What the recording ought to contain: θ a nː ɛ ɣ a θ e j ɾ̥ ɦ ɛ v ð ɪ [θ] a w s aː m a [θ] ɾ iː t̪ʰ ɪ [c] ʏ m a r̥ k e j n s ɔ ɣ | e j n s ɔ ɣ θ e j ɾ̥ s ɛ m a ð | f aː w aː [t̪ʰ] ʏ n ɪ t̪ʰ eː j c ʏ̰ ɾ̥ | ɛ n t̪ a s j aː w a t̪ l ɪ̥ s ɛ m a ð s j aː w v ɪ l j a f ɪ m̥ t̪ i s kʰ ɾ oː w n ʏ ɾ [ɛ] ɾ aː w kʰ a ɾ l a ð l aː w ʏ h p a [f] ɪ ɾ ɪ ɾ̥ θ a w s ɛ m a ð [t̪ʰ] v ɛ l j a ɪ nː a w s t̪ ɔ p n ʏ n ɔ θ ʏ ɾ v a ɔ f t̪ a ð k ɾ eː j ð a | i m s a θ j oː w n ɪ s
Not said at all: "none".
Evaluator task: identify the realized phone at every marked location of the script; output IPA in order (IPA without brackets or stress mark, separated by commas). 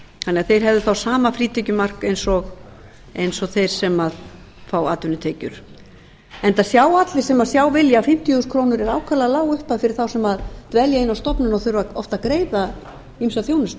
θ, f, c, t̪, ɛ, f, t̪